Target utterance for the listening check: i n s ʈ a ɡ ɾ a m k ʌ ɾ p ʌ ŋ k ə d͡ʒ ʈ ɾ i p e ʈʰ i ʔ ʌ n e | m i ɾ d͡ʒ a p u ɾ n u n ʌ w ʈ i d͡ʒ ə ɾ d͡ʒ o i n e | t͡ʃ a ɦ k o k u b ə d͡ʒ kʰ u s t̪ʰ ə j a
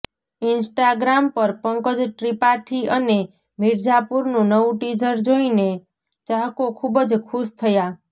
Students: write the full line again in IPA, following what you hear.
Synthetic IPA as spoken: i n s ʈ a ɡ ɾ a m p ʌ ɾ p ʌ ŋ k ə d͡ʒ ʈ ɾ i p a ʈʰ i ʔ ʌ n e | m i ɾ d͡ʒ a p u ɾ n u n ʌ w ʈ i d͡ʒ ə ɾ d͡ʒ o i n e | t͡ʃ a ɦ k o kʰ u b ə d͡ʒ kʰ u s t̪ʰ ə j a